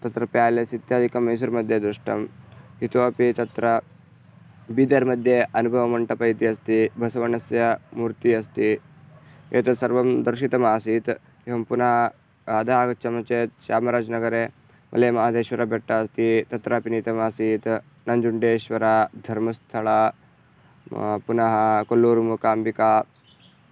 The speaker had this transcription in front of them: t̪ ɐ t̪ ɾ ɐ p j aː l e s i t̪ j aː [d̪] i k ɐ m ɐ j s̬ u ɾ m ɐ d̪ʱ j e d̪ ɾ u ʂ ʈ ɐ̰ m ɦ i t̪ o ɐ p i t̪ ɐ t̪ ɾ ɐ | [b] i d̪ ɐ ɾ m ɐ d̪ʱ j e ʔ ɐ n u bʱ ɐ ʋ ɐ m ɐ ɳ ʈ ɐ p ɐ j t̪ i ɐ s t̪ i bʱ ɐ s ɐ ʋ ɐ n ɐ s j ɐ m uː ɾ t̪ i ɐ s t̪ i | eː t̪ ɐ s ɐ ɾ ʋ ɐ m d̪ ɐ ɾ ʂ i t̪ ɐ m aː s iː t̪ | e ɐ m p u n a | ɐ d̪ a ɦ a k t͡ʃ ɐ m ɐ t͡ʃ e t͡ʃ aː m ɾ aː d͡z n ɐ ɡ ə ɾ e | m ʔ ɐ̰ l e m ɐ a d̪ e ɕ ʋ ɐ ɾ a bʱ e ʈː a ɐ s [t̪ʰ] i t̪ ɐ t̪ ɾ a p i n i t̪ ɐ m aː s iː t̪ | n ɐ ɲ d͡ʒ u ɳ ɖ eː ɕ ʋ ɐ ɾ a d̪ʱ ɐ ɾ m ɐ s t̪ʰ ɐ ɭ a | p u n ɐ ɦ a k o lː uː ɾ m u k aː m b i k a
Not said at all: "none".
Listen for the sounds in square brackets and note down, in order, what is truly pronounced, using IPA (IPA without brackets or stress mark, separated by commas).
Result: d̪, b, t̪